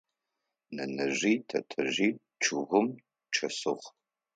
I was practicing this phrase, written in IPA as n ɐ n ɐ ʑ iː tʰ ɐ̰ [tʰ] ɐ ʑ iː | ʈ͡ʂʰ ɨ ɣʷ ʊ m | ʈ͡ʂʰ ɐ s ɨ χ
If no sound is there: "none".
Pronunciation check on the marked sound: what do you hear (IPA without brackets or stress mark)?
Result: tʰ